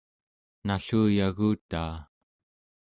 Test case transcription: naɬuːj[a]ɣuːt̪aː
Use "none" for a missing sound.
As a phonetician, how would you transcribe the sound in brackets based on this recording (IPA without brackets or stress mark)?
a